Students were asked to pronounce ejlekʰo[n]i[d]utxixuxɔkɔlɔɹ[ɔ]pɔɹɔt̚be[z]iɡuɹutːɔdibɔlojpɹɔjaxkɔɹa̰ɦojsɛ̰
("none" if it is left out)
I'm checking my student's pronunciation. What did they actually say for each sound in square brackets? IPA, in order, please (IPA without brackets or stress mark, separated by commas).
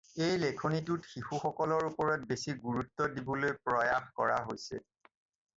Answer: n, t, u, s